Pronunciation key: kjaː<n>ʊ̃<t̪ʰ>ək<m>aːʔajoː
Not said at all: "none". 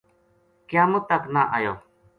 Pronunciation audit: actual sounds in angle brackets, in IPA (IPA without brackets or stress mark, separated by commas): m, t̪, n